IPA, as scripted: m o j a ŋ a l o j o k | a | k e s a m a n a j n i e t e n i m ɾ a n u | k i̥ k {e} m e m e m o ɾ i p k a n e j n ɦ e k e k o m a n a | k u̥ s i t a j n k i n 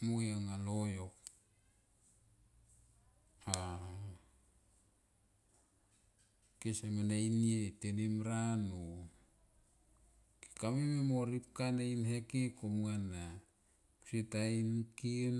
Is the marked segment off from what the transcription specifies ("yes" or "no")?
yes